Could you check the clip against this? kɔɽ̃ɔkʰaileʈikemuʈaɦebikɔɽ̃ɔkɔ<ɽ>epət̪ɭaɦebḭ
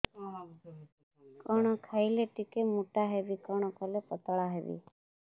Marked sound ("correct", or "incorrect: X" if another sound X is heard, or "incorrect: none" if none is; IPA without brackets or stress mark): incorrect: l